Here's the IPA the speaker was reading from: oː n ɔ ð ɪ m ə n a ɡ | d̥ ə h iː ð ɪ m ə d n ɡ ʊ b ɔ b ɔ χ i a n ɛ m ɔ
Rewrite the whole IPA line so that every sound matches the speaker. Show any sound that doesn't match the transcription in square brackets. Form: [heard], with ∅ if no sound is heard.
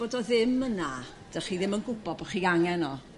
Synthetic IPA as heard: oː [d] ɔ ð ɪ m ə n a [∅] | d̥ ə [χ] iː ð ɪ m ə [∅] n ɡ ʊ b ɔ b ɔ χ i a [ŋ] ɛ [n] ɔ